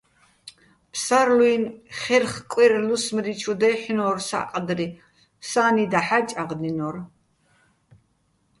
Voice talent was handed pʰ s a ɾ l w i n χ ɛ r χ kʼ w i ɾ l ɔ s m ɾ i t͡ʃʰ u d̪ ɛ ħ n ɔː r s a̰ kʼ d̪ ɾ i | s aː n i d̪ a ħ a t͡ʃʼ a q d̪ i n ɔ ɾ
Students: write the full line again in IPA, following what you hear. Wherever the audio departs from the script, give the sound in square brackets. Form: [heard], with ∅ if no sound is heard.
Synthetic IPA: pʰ s a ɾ l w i n χ ɛ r χ kʼ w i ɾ l [u] s m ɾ i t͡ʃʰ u d̪ ɛ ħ n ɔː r s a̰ [qʼ] d̪ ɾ i | s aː n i d̪ a ħ a t͡ʃʼ a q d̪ i n ɔ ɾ